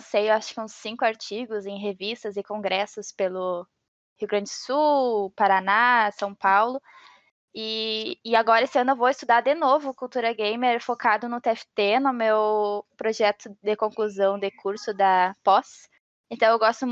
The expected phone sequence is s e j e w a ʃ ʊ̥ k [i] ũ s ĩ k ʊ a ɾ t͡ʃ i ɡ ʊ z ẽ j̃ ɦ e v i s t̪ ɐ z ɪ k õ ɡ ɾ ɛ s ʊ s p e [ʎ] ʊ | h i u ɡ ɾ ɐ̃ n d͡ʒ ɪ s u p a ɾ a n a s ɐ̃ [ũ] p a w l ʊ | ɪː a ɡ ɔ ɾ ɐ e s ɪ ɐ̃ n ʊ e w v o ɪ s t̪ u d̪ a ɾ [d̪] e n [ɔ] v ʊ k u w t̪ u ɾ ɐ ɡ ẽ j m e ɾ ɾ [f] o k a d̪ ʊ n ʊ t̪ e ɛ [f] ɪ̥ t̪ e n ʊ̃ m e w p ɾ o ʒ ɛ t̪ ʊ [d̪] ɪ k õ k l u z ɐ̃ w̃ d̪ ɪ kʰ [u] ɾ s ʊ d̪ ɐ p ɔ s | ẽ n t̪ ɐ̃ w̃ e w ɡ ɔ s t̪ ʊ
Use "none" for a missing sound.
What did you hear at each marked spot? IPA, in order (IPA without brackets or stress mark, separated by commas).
ɪ, l, w̃, d̪, o, f, f, d̪, u